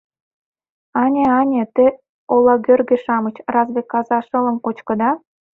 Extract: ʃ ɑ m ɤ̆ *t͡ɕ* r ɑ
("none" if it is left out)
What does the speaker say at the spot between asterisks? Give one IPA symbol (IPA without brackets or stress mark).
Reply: t͡ɕ